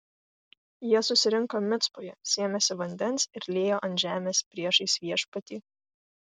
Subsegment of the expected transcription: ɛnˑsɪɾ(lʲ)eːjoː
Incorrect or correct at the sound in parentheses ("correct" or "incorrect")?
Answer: correct